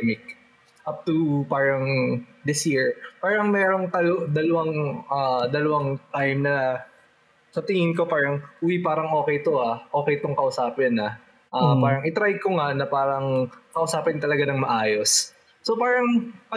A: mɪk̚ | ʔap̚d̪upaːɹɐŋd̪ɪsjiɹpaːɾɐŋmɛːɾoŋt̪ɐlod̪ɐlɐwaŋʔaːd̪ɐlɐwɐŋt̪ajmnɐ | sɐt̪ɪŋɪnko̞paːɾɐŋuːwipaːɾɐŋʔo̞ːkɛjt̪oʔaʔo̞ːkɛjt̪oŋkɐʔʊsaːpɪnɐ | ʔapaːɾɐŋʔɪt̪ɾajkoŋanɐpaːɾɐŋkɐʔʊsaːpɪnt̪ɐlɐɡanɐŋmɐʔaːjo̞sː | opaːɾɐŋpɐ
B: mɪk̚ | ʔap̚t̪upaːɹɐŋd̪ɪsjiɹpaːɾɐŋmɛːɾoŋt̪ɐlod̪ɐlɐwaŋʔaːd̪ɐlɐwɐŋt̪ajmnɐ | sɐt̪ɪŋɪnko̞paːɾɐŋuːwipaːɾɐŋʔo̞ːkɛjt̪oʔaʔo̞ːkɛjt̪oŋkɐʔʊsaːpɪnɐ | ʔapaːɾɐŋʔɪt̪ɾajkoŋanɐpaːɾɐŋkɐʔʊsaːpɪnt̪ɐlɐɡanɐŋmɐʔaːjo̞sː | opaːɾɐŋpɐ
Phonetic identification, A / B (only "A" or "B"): B